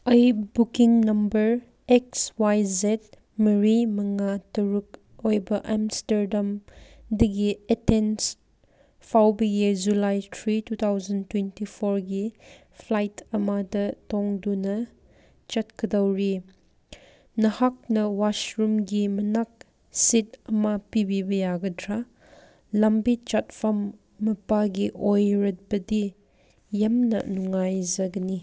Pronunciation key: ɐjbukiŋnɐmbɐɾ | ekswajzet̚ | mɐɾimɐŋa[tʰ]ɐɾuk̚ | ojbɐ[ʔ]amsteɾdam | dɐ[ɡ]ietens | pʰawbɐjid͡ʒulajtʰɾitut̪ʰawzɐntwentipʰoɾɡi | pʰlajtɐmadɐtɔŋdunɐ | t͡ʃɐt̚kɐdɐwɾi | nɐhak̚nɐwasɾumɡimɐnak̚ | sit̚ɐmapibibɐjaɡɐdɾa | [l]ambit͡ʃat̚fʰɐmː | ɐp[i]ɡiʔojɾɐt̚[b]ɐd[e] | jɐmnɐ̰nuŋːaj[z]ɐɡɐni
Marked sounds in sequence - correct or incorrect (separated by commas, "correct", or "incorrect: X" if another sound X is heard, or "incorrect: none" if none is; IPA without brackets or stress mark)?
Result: incorrect: t, correct, correct, correct, incorrect: a, correct, incorrect: i, correct